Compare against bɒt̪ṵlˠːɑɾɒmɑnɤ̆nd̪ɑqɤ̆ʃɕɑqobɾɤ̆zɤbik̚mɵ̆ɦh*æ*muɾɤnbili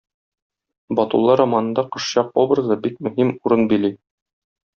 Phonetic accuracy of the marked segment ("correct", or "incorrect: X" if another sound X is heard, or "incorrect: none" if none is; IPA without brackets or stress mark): incorrect: i